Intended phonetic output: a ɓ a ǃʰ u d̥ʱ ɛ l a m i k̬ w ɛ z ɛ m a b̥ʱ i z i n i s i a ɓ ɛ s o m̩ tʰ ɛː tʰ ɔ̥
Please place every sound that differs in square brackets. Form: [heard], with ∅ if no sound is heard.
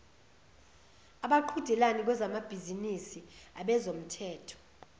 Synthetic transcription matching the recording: a ɓ a ǃʰ u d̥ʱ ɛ l a [n] i k̬ w ɛ z [a] m a b̥ʱ i z i n i s i a ɓ ɛ [z] o m̩ tʰ ɛː tʰ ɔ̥